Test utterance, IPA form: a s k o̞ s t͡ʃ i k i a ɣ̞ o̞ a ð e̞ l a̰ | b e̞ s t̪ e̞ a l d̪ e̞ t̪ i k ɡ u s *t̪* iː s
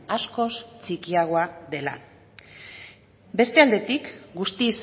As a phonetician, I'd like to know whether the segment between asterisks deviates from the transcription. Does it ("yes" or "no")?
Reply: no